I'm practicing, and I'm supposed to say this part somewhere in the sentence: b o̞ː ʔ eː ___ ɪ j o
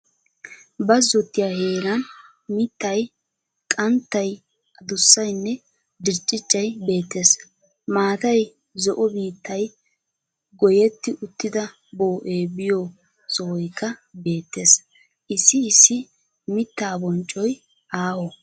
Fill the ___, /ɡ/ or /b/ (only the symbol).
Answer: b